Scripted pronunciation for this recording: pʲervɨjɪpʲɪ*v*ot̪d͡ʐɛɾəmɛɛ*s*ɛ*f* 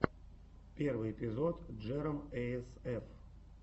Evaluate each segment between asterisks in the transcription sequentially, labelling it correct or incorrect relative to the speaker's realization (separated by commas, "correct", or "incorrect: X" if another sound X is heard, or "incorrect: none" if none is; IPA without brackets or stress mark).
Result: incorrect: z, correct, correct